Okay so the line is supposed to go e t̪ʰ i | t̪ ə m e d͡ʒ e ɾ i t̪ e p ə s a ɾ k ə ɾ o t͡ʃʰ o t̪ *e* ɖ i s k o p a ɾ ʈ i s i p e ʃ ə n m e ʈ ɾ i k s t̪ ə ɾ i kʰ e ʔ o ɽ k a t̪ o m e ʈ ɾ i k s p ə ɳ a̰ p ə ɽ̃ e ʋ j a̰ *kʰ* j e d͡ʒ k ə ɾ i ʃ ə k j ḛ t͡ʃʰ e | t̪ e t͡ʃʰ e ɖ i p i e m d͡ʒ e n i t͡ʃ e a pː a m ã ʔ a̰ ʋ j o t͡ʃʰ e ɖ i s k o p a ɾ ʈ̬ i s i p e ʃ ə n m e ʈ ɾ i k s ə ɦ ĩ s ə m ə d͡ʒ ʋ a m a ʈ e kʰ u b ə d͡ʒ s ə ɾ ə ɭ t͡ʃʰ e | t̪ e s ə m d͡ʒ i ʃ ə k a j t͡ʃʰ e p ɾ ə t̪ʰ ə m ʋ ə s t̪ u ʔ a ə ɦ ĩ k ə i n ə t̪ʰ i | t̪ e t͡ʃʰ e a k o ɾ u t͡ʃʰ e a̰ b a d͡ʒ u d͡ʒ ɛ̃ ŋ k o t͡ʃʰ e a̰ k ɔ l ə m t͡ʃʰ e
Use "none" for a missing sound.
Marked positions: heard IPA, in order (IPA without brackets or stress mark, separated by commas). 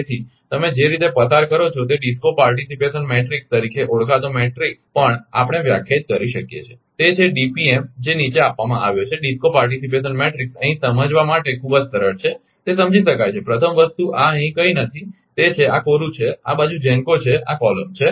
e, kʰ